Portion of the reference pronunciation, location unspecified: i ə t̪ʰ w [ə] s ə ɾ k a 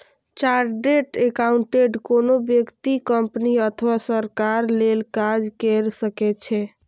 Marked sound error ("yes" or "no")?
yes